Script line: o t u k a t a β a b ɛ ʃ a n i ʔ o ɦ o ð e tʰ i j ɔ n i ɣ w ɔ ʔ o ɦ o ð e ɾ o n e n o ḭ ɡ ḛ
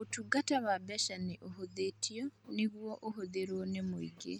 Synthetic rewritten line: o t u ɡ a t a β a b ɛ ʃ a n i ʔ o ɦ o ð e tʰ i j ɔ n i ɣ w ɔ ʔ o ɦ o ð e ɾ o n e m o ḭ ɡ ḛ